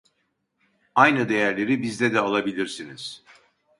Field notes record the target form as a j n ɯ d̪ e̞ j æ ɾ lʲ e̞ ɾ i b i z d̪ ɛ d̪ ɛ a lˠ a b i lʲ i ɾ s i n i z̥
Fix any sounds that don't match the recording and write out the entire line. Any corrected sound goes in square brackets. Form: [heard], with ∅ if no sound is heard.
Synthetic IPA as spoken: a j n ɯ d̪ e̞ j æ ɾ lʲ e̞ ɾ i b i z d̪ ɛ d̪ ɛ a lˠ a b i lʲ i ɾ s i n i z̥